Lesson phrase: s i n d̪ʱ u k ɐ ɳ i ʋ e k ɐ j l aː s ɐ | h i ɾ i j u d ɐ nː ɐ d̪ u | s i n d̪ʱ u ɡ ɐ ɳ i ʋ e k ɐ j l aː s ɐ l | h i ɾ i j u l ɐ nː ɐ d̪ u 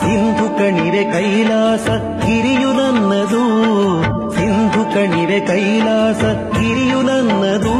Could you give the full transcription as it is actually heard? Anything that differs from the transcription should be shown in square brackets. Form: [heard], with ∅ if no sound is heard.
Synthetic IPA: s i n d̪ʱ u k ɐ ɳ i ʋ e k ɐ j l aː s ɐ | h i ɾ i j u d ɐ nː ɐ d̪ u | s i n d̪ʱ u [k] ɐ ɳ i ʋ e k ɐ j l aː s ɐ [∅] | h i ɾ i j u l ɐ nː ɐ d̪ u